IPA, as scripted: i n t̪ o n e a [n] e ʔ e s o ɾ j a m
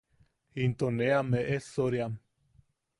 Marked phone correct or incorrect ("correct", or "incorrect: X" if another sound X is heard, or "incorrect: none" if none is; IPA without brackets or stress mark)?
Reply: incorrect: m